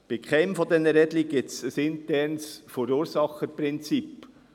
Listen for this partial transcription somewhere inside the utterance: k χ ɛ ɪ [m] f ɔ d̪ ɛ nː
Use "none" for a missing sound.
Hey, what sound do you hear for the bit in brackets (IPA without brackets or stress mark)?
m